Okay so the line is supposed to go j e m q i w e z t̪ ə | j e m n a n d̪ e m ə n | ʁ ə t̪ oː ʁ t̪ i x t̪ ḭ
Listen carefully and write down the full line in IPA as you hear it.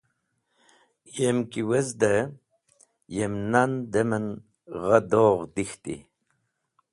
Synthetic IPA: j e m k i w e z d̪ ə | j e m n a n d̪ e m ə n | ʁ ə d̪ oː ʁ d̪ i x t̪ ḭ

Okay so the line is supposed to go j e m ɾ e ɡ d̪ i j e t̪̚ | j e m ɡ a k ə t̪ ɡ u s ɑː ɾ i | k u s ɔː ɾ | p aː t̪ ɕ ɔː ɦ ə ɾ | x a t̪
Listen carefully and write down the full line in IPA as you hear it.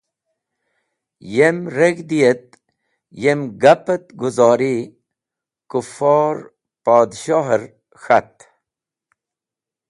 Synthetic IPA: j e m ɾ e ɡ d̪ i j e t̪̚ | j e m ɡ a p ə t̪ ɡ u z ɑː ɾ i | k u f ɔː ɾ | p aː d̪ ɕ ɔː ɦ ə ɾ | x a t̪

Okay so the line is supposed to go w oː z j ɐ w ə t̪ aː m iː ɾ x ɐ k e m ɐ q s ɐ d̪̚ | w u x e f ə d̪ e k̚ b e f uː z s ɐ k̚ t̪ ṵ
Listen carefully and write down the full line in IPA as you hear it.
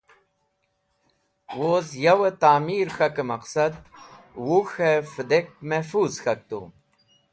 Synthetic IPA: w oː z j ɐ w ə t̪ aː m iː ɾ x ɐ k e m ɐ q s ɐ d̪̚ | w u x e f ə d̪ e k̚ m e f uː z x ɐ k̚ t̪ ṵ

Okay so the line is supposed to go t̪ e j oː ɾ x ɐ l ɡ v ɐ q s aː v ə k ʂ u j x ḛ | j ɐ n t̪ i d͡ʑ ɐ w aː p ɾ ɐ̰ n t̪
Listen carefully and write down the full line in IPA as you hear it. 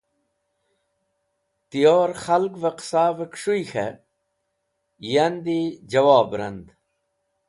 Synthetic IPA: t̪ i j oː ɾ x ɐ l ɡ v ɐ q s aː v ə k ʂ u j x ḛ | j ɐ n d̪ i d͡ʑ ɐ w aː b ɾ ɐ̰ n d̪

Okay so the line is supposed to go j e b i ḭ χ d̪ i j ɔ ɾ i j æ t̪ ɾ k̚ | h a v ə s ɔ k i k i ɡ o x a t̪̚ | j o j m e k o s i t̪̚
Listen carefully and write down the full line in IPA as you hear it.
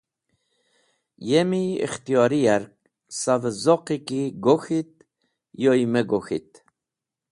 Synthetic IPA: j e m i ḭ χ t̪ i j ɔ ɾ i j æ ɾ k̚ | s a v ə z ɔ q i k i ɡ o x i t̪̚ | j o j m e ɡ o x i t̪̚

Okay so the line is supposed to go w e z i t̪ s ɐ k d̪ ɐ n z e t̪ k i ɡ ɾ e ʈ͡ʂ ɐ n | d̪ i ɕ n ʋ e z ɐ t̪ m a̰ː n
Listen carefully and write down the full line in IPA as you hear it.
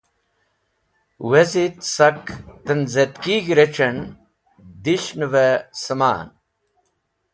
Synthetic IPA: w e z i t̪ s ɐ k t̪ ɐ n z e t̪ k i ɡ ɾ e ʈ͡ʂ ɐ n | d̪ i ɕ n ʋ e s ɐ m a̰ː n

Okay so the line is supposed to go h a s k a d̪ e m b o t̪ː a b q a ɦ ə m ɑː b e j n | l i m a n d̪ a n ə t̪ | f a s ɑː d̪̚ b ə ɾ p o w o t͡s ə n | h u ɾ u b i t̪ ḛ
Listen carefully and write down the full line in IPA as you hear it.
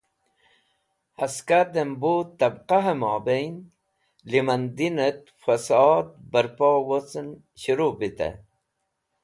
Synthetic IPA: h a s k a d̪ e m b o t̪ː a b q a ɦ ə m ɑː b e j n | l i m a n d̪ i n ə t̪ | f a s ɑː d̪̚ b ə ɾ p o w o t͡s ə n | ɕ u ɾ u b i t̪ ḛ

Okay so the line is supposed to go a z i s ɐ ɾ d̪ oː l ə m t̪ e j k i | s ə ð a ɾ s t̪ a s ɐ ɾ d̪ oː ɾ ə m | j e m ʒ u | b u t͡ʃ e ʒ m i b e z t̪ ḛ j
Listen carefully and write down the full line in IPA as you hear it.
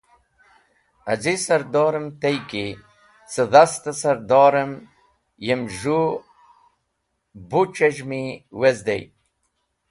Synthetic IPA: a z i s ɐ ɾ d̪ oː ɾ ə m t̪ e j k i | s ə ð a s t̪ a s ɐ ɾ d̪ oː ɾ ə m | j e m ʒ u | b u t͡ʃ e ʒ m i w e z d̪ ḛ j

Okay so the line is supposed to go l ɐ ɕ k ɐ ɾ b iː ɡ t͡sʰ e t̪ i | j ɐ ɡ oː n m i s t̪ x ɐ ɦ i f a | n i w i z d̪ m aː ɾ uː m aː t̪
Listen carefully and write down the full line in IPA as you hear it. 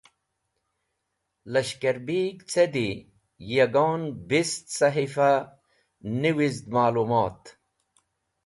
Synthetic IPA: l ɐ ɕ k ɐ ɾ b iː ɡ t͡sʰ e d̪ i | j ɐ ɡ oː n b i s t̪ s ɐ ɦ i f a | n i w i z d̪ m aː l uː m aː t̪

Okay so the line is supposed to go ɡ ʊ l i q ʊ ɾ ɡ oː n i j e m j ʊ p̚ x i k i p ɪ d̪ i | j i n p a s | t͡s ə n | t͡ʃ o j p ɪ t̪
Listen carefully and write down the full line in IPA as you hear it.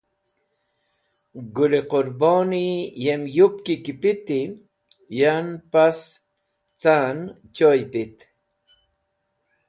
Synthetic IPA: ɡ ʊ l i q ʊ ɾ b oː n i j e m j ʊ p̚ k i k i p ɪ t̪ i | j a n p a s | t͡s a n | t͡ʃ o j p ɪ t̪

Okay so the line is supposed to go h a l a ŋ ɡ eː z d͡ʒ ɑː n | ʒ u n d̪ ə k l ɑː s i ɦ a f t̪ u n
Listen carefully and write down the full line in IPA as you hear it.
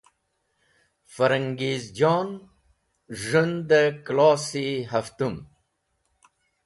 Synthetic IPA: f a ɾ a ŋ ɡ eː z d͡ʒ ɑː n | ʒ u n d̪ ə k l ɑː s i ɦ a f t̪ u m

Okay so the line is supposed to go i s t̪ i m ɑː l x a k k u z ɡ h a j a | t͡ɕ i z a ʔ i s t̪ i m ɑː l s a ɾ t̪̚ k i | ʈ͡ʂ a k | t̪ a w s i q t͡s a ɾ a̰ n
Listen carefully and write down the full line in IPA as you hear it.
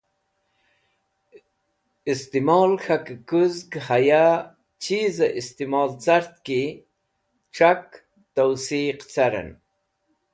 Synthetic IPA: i s t̪ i m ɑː l x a k k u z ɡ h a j a | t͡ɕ i z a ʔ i s t̪ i m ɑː l t͡s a ɾ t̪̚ k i | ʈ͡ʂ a k | t̪ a w s i q t͡s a ɾ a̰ n

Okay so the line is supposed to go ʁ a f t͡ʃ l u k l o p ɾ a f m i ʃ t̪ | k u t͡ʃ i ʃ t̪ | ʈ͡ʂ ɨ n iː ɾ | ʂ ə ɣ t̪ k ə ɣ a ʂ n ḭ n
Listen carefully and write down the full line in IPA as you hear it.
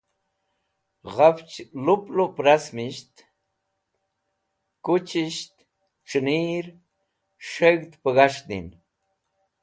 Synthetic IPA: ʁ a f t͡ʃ l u p l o p ɾ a s m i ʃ t̪ | k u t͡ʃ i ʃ t̪ | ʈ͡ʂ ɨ n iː ɾ | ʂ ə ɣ t̪ p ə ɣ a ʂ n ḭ n

